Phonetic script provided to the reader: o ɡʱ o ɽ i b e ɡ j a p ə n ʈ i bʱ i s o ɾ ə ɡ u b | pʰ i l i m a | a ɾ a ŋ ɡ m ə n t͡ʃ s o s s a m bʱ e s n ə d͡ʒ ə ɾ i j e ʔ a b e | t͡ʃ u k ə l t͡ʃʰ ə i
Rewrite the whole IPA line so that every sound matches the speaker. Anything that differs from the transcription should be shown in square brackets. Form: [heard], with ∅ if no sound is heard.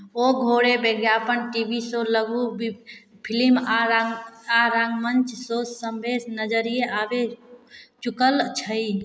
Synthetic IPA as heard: o ɡʱ o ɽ [e] b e ɡ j a p ə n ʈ i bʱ i s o [l] ə ɡ u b | pʰ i l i m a | a ɾ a ŋ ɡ m ə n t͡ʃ s o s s [ə] m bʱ e s n ə d͡ʒ ə ɾ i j e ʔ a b e | t͡ʃ u k ə l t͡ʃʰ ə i